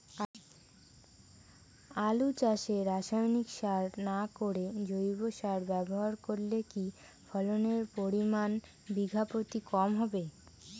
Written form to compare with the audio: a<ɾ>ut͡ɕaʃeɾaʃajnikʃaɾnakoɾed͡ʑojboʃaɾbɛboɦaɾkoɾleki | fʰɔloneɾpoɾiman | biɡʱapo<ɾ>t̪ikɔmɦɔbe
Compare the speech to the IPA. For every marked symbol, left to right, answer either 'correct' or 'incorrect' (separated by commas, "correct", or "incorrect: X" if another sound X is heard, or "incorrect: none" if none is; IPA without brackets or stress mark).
incorrect: l, incorrect: none